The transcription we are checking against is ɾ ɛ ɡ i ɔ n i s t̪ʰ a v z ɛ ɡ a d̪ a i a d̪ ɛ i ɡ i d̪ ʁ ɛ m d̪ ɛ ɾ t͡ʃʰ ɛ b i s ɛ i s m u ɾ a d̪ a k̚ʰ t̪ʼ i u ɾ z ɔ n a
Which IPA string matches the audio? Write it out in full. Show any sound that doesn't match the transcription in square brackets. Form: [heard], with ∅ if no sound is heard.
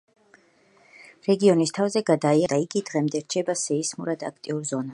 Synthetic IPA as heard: ɾ ɛ ɡ i ɔ n i s t̪ʰ a v z ɛ ɡ a d̪ a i a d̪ [a] i ɡ i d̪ ʁ ɛ m d̪ ɛ ɾ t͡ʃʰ ɛ b [a] s ɛ i s m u ɾ a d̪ a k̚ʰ t̪ʼ i u ɾ z ɔ n a